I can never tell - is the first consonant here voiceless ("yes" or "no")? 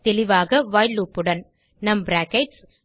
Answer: yes